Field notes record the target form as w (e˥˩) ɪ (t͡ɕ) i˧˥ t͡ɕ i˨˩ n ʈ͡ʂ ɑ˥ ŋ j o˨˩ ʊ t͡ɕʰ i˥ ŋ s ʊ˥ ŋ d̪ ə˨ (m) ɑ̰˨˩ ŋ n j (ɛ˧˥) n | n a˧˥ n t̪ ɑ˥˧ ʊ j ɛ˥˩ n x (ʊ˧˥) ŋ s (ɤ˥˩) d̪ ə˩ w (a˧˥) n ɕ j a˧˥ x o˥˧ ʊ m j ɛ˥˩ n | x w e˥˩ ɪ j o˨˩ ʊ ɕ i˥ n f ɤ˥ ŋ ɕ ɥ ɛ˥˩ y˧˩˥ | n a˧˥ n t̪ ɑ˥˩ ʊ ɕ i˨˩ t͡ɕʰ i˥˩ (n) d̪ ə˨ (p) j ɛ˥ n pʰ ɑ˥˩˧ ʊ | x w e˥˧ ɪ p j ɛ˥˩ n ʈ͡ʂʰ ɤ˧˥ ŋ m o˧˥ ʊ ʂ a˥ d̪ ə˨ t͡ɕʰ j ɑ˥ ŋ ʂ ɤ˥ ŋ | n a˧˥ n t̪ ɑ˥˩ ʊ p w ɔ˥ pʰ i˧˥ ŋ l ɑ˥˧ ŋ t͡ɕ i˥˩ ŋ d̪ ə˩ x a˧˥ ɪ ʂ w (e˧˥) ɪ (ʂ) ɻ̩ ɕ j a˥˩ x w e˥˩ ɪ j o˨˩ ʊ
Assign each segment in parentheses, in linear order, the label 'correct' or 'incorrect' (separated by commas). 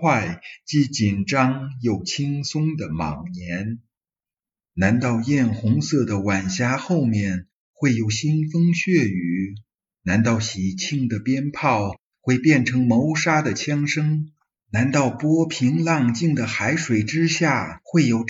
incorrect, correct, correct, correct, correct, correct, incorrect, incorrect, correct, incorrect, incorrect